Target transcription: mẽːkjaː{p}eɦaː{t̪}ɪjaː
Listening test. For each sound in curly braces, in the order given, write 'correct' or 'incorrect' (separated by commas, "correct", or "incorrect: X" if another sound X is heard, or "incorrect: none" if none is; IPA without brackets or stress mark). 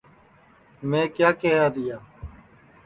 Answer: incorrect: k, incorrect: d̪